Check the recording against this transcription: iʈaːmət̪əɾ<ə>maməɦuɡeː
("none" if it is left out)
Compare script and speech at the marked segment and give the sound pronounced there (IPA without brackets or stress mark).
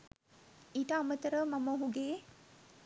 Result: ə